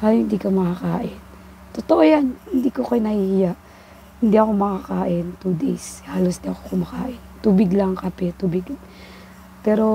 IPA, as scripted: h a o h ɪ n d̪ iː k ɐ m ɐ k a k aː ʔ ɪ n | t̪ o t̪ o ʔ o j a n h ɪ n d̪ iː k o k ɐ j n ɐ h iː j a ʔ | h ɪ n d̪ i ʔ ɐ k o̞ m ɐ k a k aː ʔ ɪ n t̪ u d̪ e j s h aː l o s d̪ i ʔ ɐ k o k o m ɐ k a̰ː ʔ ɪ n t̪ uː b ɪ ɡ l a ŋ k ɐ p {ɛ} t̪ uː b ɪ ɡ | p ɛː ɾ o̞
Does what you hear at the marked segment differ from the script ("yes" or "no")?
no